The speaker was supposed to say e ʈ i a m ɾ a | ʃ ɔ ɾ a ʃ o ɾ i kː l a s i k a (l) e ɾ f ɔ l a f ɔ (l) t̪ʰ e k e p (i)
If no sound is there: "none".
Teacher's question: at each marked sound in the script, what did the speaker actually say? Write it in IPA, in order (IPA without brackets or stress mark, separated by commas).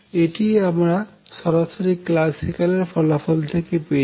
l, l, e